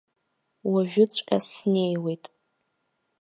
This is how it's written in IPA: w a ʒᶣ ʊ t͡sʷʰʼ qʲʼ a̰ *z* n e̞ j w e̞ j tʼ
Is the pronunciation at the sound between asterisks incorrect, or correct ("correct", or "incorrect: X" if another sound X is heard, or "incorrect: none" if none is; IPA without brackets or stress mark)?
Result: incorrect: s